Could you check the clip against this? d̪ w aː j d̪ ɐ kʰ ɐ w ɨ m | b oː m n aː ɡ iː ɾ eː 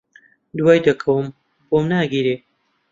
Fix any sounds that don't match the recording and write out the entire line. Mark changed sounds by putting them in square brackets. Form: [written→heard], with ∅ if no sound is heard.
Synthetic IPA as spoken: d̪ w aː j d̪ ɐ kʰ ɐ w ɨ m | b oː m n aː ɡ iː ɾ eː